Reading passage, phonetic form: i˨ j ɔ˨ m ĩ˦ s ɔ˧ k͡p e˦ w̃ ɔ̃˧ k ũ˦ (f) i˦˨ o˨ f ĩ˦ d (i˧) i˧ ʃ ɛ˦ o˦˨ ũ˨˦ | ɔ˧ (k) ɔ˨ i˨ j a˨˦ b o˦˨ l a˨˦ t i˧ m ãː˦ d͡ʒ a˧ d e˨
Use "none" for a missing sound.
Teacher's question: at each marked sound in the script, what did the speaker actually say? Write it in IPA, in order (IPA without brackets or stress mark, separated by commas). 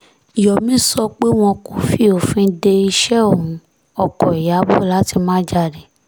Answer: f, e˧, k